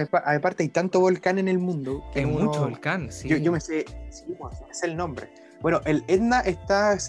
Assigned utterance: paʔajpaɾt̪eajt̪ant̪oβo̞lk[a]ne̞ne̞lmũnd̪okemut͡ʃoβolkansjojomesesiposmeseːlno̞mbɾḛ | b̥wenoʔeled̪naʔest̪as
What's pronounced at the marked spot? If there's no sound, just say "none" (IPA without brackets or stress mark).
a